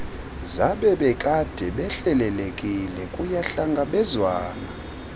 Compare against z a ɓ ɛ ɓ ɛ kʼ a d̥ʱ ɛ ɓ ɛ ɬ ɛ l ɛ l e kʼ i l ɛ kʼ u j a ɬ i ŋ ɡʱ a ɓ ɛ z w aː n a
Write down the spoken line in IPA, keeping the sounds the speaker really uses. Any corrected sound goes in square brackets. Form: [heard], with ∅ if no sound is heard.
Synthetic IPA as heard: z a ɓ ɛ ɓ ɛ kʼ a d̥ʱ ɛ ɓ ɛ ɬ ɛ l ɛ l e kʼ i l ɛ kʼ u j a ɬ [a] ŋ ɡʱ a ɓ ɛ z w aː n a